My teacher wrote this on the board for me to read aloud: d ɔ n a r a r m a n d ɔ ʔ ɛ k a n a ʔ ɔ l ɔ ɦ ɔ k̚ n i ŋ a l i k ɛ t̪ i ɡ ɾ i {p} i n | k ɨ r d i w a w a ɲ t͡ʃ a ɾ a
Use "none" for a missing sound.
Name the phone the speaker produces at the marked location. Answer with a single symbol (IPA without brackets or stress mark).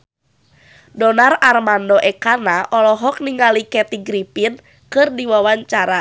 p